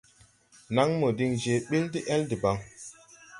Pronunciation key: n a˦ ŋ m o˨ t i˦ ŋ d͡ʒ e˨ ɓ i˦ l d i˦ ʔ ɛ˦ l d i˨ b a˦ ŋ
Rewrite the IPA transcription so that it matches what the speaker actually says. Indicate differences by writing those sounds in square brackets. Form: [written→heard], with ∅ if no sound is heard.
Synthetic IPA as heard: n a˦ ŋ m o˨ [t→d] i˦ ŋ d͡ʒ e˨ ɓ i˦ l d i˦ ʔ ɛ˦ l d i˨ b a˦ ŋ